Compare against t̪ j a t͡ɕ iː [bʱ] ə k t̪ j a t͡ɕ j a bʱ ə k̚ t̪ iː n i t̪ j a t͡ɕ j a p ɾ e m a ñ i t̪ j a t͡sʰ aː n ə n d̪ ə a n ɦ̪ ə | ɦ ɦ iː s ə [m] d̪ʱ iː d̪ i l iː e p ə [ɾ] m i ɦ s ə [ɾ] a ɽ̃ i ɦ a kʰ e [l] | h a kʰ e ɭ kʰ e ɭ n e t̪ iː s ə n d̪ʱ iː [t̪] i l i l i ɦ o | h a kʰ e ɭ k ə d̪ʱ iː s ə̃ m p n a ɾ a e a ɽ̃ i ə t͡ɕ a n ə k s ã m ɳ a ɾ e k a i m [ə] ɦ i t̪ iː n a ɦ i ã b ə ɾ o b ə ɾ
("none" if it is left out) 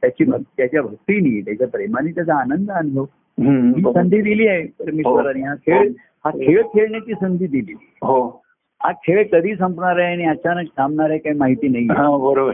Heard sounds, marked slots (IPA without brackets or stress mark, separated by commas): bʱ, n, ɾ, ɾ, ɭ, d̪, a